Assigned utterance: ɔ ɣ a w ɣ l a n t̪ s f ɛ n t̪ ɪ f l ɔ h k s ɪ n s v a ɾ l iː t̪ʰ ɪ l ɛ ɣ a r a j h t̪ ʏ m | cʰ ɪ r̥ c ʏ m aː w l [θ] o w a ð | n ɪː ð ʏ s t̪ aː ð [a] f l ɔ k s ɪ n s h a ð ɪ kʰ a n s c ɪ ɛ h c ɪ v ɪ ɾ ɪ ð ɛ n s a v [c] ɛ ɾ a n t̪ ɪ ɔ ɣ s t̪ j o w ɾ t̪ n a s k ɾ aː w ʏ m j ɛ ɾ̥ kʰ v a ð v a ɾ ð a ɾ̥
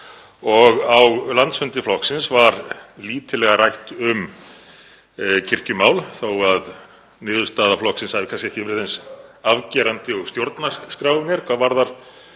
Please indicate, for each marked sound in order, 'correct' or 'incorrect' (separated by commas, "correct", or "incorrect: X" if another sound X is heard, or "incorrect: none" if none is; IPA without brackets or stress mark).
correct, correct, correct